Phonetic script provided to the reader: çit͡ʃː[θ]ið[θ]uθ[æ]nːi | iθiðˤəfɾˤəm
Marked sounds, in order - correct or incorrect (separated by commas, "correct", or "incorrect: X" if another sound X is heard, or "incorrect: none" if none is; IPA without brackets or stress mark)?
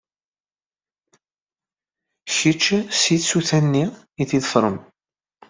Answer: incorrect: s, incorrect: s, correct